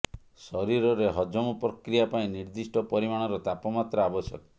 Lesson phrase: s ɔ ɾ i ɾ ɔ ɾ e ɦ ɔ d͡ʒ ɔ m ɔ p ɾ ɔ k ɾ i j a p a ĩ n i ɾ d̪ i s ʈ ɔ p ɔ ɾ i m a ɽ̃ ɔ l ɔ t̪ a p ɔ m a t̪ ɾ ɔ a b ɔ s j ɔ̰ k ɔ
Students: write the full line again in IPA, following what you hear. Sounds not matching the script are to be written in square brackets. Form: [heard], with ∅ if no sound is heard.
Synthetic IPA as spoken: s ɔ ɾ i ɾ ɔ ɾ e ɦ ɔ d͡ʒ ɔ m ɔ p ɾ ɔ k ɾ i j a p a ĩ n i ɾ d̪ i s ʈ ɔ p ɔ ɾ i m a ɽ̃ ɔ [ɾ] ɔ t̪ a p ɔ m a t̪ ɾ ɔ a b ɔ s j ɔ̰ k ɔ